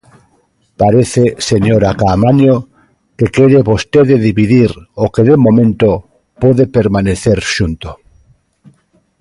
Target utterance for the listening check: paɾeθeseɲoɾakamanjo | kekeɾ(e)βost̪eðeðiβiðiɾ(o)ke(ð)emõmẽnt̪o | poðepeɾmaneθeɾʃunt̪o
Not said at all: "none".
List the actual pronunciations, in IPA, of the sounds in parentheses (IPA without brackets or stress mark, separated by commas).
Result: e, o, ð